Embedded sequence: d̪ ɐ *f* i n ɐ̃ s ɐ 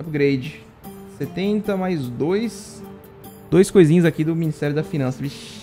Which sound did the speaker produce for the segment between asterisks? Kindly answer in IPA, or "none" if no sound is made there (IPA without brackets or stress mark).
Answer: f